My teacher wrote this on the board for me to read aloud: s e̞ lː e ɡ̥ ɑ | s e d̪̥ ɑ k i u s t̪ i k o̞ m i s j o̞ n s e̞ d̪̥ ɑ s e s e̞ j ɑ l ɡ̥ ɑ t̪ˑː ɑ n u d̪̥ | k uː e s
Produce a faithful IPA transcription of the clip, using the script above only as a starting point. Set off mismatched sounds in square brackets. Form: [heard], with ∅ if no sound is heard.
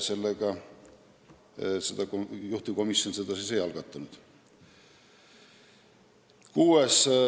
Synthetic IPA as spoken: s e̞ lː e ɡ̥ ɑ | s e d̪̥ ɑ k [j] u [h] t̪ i k o̞ m i s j o̞ n s e̞ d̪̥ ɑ s [i] s e̞ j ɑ l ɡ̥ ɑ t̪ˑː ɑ n u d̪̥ | k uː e s